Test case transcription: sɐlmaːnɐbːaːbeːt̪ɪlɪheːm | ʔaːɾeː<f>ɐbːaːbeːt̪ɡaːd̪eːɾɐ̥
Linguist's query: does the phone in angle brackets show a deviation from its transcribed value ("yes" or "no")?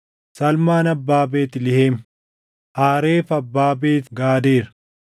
no